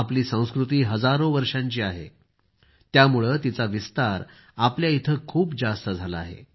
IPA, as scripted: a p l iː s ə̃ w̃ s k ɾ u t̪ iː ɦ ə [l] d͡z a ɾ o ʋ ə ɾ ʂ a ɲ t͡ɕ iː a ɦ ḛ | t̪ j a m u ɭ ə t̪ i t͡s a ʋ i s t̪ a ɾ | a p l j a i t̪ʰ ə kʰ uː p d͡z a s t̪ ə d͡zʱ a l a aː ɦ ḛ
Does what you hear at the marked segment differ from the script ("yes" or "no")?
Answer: yes